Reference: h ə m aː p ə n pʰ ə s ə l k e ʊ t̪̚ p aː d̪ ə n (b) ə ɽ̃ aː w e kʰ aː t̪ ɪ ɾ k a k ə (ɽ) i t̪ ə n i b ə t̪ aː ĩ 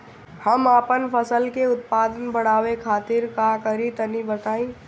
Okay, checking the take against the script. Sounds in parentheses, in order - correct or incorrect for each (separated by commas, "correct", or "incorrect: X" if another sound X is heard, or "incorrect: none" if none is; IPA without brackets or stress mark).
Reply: correct, incorrect: ɾ